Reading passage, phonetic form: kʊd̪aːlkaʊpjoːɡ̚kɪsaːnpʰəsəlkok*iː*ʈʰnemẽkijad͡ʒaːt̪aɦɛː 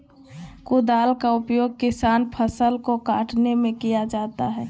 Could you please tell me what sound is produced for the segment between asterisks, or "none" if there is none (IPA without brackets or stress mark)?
aː